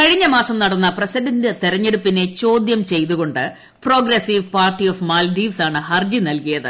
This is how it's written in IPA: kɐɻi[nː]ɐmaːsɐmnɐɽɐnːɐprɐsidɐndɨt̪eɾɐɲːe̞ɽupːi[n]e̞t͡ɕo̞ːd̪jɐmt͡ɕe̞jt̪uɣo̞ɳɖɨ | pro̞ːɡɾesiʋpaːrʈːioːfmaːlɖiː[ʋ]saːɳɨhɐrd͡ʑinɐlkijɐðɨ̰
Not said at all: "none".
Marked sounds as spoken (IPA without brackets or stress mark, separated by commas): ɲː, n, ʋ